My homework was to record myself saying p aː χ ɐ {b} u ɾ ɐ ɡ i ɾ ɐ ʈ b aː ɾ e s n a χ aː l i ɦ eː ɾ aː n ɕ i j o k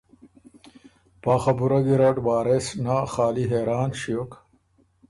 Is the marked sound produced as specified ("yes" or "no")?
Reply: yes